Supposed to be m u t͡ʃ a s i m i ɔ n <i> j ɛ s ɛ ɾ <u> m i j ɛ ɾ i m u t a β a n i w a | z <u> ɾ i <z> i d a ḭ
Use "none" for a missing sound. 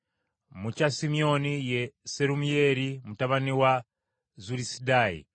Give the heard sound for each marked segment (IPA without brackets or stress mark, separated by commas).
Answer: i, u, u, s